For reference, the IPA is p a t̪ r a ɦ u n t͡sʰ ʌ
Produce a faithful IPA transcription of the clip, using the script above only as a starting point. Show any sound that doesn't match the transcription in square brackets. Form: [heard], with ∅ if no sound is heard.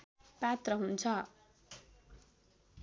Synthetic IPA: p a t̪ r [ʌ] ɦ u n t͡sʰ ʌ